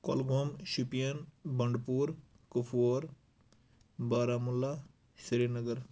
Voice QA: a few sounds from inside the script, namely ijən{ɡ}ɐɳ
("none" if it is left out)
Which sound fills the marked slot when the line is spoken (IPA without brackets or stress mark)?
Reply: b